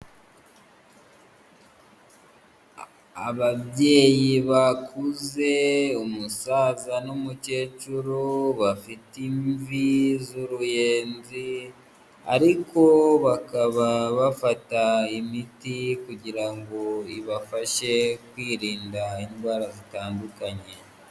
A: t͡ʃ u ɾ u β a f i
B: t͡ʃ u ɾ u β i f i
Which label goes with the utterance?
A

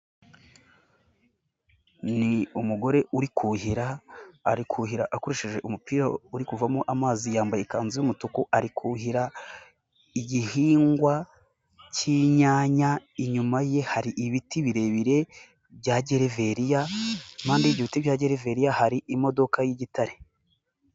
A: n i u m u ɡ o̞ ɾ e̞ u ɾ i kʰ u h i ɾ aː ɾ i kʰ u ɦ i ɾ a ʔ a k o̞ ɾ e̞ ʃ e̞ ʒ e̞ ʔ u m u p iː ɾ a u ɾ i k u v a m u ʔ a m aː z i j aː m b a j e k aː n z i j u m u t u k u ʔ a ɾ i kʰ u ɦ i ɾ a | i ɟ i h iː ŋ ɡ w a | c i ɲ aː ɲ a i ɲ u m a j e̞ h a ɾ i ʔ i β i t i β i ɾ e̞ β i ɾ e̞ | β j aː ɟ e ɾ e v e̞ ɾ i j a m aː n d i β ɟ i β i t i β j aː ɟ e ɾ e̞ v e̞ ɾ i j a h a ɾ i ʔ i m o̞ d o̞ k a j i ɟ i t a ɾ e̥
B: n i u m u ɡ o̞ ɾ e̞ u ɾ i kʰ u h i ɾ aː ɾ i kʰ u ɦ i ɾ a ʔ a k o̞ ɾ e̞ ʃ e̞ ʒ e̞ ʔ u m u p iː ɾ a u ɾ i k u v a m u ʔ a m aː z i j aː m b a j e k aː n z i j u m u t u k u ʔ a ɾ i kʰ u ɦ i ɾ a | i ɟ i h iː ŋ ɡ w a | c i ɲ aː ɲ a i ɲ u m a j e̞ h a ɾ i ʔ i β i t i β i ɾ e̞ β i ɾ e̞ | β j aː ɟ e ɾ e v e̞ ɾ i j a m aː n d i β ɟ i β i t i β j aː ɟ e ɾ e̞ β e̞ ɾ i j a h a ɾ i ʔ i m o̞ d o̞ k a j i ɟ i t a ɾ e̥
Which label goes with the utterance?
A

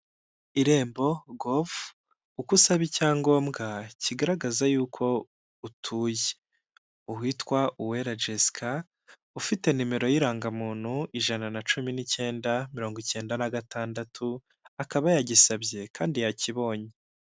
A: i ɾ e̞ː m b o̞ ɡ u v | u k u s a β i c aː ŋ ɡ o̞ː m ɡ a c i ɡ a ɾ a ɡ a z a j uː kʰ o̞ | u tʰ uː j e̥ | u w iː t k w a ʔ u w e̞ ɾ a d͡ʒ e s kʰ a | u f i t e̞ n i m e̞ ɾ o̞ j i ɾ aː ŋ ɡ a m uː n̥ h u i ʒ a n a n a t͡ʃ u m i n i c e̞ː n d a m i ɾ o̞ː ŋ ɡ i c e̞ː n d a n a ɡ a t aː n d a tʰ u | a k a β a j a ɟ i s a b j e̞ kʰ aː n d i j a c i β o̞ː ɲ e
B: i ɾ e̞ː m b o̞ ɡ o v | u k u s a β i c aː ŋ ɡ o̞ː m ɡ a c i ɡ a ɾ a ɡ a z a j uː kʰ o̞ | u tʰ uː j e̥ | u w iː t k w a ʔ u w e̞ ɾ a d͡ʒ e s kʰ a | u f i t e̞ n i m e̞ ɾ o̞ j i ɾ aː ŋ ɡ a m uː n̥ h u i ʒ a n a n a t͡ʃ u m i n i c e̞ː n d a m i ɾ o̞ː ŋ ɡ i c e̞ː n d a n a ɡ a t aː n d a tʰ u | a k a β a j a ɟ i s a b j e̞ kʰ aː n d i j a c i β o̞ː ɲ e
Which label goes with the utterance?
B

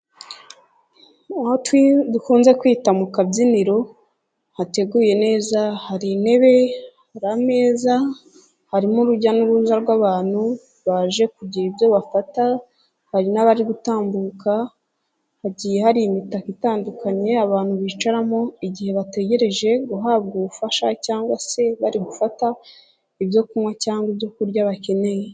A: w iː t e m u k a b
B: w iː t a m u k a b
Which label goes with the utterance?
B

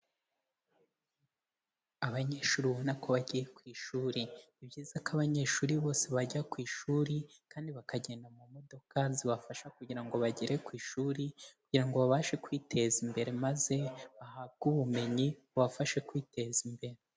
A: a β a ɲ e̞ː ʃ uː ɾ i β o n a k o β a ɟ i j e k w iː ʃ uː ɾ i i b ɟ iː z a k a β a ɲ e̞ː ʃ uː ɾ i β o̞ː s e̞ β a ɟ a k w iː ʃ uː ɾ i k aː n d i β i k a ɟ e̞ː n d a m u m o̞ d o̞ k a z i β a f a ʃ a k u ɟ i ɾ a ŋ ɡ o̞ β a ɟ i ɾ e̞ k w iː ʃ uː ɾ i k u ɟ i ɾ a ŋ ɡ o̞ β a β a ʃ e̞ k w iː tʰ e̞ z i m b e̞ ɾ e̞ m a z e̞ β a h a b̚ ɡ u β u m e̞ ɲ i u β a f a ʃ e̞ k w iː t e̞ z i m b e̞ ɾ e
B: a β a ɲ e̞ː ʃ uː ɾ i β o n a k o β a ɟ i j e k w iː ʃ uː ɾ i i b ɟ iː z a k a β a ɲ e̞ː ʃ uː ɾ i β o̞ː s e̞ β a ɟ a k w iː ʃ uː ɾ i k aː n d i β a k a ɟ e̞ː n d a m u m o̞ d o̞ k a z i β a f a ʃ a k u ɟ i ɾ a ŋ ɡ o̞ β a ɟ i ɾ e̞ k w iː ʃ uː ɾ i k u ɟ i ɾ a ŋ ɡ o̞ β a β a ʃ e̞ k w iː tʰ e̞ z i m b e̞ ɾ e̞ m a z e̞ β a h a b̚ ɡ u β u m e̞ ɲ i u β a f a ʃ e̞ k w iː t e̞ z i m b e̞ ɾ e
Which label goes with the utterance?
B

